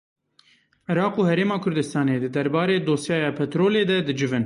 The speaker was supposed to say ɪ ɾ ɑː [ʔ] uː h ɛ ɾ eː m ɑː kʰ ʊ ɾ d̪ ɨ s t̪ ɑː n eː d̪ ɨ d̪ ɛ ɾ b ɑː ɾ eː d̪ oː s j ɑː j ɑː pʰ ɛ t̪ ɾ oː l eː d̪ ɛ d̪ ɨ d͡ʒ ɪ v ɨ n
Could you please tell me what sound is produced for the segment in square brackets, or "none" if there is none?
q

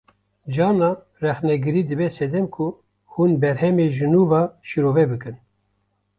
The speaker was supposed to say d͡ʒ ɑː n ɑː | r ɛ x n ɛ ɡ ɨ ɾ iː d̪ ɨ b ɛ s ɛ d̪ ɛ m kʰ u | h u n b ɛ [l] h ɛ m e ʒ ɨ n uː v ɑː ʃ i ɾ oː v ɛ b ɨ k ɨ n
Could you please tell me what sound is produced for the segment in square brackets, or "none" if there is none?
ɾ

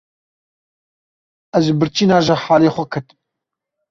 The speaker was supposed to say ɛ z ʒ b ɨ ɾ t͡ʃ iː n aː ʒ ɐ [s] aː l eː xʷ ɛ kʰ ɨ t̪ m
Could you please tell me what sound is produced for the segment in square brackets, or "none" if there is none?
ħ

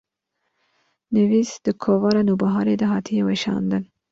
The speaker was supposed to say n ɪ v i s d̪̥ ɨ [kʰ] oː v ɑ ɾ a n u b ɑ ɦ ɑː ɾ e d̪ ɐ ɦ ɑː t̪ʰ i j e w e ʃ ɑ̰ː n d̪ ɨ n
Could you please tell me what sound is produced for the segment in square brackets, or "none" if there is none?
kʰ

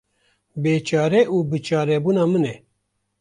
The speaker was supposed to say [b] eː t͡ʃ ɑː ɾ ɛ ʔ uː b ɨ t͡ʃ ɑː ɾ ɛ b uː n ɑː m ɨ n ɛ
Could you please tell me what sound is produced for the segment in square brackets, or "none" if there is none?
b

